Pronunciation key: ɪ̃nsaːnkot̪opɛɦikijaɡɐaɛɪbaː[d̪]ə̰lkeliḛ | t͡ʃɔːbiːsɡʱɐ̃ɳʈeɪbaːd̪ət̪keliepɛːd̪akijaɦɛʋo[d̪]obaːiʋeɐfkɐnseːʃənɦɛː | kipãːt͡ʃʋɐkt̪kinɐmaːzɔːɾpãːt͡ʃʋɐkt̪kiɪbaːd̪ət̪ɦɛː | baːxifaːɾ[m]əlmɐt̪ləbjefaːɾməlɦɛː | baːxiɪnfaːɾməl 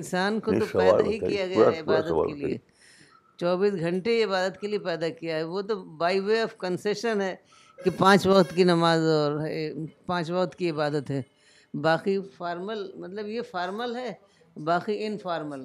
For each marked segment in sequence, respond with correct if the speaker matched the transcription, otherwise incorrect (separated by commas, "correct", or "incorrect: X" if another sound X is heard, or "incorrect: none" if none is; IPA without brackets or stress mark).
correct, incorrect: t̪, correct